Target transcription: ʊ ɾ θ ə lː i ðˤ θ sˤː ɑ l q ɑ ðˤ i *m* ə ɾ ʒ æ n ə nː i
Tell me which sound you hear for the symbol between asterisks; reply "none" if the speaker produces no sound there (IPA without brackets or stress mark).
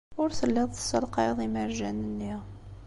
m